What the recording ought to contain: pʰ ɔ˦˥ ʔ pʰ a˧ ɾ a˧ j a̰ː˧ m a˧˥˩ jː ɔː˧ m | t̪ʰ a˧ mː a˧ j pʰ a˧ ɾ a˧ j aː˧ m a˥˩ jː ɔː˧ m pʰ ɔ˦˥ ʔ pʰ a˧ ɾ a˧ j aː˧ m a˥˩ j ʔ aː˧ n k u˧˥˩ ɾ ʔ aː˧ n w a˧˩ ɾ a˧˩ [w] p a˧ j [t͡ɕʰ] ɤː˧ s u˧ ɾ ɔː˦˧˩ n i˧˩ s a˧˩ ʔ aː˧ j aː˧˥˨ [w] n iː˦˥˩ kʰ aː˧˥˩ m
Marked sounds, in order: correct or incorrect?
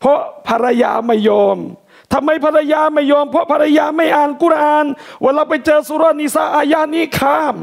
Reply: correct, incorrect: t͡ɕ, incorrect: none

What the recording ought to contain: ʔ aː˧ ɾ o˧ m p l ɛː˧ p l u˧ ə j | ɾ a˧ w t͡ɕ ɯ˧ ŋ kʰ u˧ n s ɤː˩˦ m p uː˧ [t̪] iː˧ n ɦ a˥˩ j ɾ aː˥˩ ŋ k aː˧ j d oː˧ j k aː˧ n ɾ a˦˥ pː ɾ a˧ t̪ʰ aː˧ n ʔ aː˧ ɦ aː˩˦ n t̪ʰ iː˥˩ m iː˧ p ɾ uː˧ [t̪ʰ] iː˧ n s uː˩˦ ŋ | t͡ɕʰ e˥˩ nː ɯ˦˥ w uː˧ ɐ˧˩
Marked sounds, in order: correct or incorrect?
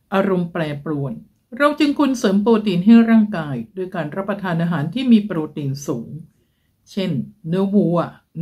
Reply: correct, incorrect: t̪

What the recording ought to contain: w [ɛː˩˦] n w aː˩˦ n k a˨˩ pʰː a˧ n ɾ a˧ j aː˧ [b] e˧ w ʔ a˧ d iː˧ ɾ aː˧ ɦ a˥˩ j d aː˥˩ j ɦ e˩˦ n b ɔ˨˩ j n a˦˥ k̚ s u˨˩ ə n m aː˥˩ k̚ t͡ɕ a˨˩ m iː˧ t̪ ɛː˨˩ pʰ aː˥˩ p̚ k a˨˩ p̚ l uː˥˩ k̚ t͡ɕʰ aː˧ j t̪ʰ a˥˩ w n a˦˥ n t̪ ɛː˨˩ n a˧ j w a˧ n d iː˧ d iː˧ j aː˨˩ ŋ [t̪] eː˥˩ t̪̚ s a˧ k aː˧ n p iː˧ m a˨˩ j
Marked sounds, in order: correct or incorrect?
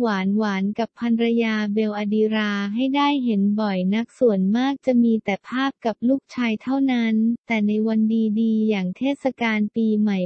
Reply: incorrect: aː˩˦, correct, incorrect: t̪ʰ

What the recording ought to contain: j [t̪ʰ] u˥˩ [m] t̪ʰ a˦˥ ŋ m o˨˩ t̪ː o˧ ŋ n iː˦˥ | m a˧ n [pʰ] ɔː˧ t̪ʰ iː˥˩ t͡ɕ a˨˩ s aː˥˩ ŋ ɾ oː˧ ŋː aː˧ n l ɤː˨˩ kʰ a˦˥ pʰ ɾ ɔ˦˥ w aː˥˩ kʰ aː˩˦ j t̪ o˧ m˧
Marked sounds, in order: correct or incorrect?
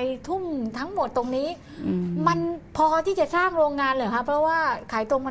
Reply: correct, correct, correct

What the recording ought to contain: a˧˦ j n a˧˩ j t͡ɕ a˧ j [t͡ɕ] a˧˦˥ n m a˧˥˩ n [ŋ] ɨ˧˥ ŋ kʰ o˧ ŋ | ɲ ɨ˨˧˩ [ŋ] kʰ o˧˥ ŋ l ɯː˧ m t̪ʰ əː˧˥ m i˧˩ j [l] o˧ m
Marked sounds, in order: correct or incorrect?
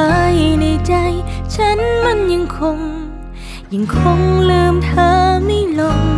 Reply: incorrect: t͡ɕʰ, incorrect: ɲ, correct, correct

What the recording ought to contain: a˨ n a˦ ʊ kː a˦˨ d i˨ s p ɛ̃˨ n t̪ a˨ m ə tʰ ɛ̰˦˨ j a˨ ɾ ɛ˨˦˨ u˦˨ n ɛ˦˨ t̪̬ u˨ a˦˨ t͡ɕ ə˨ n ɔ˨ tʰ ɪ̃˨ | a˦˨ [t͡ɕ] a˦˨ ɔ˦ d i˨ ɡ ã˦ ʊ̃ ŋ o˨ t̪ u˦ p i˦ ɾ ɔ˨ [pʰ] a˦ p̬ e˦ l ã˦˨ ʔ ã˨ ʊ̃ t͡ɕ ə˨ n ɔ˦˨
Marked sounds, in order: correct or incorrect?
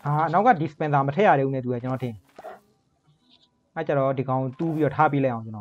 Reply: correct, incorrect: tʰ

